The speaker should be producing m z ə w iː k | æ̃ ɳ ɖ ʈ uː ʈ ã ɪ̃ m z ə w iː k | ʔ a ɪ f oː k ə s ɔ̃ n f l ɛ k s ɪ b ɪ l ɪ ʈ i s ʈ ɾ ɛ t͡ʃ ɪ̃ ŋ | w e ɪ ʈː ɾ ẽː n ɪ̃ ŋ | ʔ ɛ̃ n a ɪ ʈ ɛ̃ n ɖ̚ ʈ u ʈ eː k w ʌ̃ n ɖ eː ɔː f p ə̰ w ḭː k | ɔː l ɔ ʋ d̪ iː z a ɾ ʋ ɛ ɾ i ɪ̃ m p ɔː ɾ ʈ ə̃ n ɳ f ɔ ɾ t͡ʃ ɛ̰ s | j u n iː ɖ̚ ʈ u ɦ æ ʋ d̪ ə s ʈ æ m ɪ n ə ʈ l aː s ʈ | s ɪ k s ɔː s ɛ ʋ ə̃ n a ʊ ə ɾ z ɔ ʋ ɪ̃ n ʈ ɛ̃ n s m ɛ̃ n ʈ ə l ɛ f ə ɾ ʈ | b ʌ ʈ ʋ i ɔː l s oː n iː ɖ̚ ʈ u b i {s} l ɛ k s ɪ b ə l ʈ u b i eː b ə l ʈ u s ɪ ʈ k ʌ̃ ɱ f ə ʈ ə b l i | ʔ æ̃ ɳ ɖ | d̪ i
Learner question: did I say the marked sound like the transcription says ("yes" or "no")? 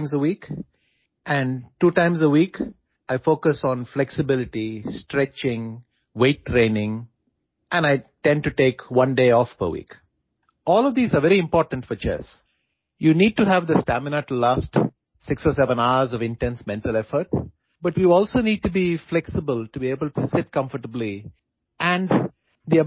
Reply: no